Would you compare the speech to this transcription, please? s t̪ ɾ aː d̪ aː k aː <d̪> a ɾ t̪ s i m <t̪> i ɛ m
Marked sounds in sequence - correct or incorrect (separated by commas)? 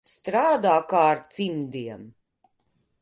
incorrect, incorrect